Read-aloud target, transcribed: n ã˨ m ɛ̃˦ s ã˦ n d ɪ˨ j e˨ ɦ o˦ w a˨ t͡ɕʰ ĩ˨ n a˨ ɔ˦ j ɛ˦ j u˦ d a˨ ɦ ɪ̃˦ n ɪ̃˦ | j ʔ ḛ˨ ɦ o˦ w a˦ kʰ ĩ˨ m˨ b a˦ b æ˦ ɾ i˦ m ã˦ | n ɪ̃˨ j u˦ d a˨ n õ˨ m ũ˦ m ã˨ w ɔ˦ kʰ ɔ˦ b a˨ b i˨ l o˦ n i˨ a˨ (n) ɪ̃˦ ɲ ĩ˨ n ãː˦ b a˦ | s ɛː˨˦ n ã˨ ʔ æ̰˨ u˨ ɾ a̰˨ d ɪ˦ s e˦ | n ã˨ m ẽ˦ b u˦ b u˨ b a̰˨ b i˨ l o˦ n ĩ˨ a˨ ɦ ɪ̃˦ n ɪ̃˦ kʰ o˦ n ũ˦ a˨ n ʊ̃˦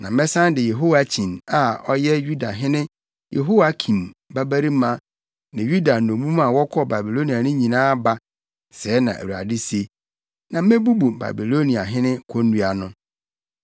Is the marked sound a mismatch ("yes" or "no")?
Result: no